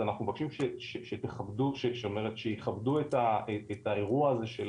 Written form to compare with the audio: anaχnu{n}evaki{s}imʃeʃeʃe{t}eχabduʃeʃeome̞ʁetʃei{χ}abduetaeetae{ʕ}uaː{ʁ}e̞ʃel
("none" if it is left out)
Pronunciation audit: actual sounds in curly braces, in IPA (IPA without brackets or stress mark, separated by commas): m, ʃ, t, χ, ʁ, z